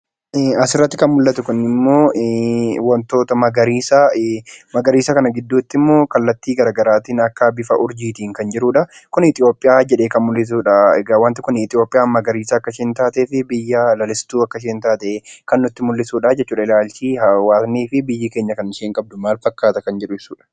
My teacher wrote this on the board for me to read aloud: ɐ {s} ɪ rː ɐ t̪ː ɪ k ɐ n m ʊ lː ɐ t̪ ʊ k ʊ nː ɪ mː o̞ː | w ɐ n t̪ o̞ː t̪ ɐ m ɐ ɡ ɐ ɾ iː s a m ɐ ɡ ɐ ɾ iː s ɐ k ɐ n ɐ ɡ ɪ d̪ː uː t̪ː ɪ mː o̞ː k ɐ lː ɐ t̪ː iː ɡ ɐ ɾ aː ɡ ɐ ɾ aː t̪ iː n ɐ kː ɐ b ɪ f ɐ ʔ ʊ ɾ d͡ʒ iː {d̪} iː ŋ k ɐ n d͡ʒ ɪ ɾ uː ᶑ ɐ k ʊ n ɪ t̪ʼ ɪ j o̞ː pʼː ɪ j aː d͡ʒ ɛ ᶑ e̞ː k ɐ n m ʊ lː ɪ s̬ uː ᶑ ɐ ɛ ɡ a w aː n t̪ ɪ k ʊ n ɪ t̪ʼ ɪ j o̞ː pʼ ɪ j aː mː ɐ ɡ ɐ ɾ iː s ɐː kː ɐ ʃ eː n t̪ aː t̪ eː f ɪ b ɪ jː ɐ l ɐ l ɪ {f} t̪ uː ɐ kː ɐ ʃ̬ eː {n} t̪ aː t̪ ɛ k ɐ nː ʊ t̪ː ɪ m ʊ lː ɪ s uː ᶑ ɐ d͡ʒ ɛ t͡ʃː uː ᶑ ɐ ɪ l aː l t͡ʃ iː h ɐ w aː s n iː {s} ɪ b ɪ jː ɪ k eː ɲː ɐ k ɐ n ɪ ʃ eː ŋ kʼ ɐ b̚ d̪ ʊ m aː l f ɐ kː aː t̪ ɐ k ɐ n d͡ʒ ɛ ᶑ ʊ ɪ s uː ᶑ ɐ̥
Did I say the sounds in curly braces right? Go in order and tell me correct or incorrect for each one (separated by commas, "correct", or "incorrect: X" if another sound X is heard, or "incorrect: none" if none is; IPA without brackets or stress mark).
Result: correct, incorrect: t̪, incorrect: s, correct, incorrect: f